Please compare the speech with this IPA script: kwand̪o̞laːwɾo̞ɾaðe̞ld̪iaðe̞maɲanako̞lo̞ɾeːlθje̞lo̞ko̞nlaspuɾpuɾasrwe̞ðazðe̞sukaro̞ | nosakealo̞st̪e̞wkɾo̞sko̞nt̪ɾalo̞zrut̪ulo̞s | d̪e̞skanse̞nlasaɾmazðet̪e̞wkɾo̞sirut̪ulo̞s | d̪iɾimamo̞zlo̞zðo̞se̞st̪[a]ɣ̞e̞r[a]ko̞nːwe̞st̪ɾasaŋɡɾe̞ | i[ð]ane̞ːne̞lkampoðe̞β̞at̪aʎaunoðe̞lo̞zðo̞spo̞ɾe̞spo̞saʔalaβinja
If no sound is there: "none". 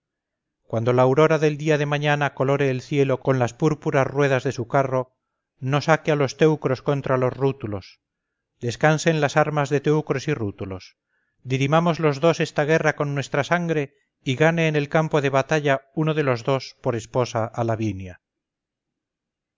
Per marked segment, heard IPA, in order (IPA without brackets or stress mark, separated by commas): a, a, ɣ